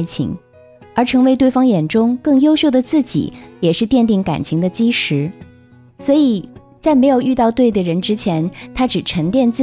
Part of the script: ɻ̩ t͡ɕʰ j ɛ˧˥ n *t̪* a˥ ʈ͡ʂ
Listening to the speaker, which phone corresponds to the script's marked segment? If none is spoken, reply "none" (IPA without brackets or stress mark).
t̪ʰ